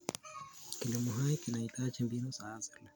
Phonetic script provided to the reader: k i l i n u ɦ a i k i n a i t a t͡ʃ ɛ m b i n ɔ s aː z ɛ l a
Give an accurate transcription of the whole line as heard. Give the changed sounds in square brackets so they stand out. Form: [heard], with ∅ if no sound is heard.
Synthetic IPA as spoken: k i l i [m] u ɦ a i k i n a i t a t͡ʃ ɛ m b i n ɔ s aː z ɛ l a

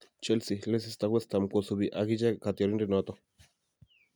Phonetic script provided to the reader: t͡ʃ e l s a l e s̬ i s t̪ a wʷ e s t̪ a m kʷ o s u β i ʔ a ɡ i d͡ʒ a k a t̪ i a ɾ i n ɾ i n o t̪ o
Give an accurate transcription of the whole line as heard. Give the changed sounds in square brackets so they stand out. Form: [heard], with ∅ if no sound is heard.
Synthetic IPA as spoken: t͡ʃ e l s [i] l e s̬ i s t̪ a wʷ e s t̪ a m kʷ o s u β i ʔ a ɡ i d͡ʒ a k a t̪ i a ɾ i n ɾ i n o t̪ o

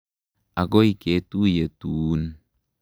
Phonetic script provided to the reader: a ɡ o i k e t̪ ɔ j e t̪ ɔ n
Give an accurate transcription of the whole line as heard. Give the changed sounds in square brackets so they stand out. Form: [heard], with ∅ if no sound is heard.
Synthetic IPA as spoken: a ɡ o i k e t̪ [u] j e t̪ [u] n

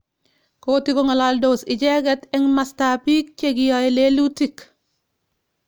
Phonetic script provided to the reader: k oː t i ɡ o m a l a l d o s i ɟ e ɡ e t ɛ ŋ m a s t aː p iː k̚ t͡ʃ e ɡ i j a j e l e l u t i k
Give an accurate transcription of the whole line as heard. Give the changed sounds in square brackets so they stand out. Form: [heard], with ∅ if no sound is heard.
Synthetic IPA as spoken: k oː t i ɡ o [ŋ] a l a l d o s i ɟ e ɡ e t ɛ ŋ m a s t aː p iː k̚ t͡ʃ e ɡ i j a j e l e l u t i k

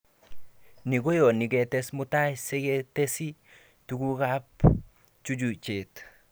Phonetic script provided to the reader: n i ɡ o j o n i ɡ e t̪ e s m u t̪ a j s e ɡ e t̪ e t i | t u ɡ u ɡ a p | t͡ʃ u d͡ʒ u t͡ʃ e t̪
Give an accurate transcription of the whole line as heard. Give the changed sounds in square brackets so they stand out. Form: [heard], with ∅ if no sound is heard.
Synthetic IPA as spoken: n i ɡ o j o n i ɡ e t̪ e s m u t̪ a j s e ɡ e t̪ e [s] i | t u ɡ u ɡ a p | t͡ʃ u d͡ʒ u t͡ʃ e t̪

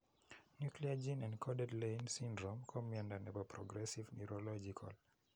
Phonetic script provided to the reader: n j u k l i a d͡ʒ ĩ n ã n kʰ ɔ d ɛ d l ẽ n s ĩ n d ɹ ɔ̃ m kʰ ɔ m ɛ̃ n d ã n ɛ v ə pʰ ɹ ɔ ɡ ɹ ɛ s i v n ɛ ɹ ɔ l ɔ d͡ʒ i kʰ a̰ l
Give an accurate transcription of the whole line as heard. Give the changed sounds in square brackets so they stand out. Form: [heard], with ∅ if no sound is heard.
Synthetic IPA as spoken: n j u k l i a d͡ʒ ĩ n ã n kʰ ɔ d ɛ d l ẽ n s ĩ n d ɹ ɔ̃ m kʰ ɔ m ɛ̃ n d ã n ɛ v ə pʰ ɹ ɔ ɡ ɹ ɛ s i v n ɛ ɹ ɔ l ɔ d͡ʒ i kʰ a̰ l

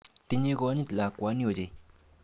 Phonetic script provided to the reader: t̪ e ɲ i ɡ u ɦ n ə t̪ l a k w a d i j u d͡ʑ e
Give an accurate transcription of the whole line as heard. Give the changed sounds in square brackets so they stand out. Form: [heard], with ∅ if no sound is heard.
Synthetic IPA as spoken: t̪ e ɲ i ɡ [o] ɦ [ɲ] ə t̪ l a k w a [n] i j [o] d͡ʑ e

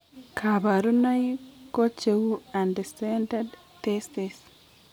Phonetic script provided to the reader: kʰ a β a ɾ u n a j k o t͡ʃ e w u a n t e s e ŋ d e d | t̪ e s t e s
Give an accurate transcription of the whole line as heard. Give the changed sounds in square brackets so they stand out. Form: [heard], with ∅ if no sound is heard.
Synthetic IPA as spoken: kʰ a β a ɾ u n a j k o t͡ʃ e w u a n [d] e s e [n] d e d | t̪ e s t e s

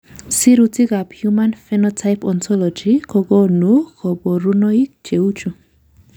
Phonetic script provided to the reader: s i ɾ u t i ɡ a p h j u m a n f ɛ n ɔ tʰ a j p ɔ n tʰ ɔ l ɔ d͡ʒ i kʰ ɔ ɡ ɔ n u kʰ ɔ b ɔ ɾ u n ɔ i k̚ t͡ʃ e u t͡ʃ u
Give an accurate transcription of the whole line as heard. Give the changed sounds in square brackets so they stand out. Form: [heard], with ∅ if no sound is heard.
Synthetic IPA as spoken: s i ɾ u t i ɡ a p h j u m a n f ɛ n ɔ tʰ a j p ɔ n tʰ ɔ l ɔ d͡ʒ i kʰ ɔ ɡ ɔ n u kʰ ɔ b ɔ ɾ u n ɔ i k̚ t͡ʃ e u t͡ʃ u

